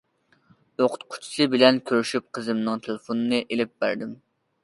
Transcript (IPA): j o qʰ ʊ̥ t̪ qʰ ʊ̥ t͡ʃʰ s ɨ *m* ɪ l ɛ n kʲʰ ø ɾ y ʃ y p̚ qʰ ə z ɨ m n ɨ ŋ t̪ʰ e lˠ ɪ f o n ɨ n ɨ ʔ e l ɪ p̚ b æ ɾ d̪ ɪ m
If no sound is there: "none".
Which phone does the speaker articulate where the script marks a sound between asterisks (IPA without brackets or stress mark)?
b